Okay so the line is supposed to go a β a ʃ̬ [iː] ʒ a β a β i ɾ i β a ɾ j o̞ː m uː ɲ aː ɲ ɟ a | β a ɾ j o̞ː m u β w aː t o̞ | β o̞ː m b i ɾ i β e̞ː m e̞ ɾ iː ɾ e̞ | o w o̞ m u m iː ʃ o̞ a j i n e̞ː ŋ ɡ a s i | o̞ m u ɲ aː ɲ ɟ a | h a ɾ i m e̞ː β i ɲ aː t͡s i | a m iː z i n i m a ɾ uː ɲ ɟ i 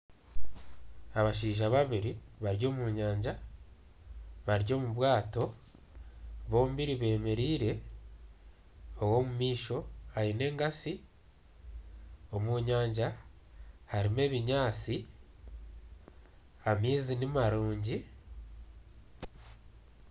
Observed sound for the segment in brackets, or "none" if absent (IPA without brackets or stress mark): iː